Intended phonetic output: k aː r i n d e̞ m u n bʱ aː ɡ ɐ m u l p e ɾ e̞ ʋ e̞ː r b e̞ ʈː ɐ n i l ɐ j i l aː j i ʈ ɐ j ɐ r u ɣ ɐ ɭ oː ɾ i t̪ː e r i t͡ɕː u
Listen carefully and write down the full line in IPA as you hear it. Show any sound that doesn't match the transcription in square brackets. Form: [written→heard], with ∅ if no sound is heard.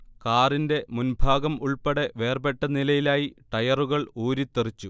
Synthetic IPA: k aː r i n d e̞ m u n bʱ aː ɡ ɐ m u [l→ɭ] p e [ɾ→ɽ] e̞ ʋ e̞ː r b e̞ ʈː ɐ n i l ɐ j i l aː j i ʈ ɐ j ɐ r u ɣ ɐ ɭ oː ɾ i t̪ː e r i t͡ɕː u